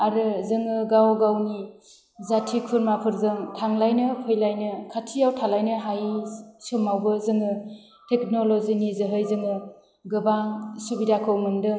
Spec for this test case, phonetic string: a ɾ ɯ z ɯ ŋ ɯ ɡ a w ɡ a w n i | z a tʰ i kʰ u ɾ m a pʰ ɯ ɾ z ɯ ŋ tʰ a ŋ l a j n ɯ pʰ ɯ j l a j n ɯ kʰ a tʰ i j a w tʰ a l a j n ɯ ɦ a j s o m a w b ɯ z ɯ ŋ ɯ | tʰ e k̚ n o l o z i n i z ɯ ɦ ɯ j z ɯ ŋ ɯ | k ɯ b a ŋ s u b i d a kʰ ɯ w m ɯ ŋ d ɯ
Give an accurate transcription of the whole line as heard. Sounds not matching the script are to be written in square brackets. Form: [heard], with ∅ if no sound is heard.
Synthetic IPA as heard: a ɾ ɯ z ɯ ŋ ɯ ɡ a w ɡ a w n i | z a tʰ i kʰ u ɾ m a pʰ ɯ ɾ z ɯ ŋ tʰ a ŋ l a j n ɯ pʰ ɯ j l a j n ɯ kʰ a tʰ i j a w tʰ a l a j n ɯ ɦ a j s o m a w b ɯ z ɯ ŋ ɯ | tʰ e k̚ n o l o z i n i z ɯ ɦ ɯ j z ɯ ŋ ɯ | [ɡ] ɯ b a ŋ s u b i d a kʰ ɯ w m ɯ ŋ d ɯ